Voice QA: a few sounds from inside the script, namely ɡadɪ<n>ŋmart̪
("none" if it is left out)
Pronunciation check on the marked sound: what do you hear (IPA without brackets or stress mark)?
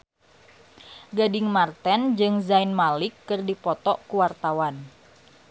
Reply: none